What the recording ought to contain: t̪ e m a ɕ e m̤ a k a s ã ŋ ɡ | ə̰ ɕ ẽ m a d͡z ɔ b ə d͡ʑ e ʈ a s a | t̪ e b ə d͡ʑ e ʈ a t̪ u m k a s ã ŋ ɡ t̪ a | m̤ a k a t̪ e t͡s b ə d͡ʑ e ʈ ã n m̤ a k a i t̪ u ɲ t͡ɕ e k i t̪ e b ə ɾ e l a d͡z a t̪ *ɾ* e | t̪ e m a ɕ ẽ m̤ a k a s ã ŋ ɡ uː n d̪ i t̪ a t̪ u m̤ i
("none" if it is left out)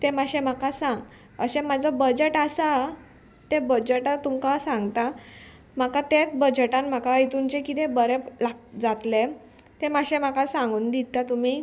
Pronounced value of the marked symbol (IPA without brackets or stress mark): l